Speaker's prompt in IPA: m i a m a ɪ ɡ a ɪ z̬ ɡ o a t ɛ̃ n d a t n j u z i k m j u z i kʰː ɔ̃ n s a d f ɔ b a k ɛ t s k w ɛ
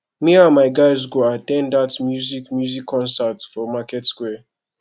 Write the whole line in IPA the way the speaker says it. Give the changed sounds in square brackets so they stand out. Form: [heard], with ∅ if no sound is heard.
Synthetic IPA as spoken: m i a m a ɪ ɡ a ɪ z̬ ɡ o a t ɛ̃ n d a t [m] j u z i k m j u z i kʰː ɔ̃ n s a [t] f ɔ [m] a k ɛ t s k w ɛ